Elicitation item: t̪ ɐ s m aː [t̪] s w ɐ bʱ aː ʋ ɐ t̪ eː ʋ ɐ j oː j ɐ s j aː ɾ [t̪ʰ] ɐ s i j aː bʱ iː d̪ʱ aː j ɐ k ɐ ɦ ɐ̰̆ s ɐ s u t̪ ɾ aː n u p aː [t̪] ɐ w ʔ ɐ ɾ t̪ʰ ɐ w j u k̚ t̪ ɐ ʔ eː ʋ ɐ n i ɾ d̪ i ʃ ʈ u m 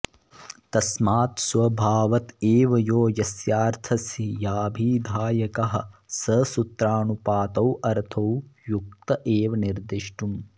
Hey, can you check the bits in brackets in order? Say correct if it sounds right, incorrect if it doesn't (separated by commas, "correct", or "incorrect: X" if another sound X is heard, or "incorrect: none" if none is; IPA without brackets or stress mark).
correct, correct, correct